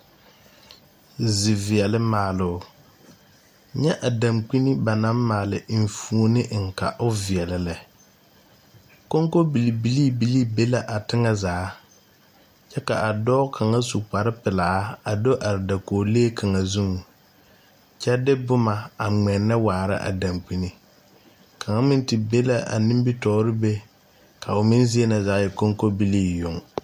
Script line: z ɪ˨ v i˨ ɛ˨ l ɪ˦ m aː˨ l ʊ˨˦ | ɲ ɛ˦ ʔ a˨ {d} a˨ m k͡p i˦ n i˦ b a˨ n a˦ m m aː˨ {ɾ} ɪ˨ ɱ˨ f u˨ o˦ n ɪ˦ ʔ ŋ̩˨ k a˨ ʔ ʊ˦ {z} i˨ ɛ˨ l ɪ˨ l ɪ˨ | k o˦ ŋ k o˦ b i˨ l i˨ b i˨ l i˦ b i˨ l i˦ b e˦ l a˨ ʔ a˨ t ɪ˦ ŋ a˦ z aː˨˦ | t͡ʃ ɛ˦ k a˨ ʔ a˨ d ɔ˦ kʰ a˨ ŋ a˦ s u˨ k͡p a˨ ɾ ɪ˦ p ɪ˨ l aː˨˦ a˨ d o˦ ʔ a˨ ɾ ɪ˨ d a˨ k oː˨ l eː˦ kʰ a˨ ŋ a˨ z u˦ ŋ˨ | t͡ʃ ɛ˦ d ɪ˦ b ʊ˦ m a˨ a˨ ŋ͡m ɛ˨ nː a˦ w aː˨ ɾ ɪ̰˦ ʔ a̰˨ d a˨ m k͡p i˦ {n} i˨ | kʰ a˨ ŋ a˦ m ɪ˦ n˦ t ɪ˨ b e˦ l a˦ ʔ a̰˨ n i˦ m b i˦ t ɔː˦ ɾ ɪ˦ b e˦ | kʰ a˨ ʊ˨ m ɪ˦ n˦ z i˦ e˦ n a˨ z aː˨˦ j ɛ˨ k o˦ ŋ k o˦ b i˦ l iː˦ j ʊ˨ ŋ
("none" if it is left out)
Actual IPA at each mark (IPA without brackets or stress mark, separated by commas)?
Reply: d, l, v, n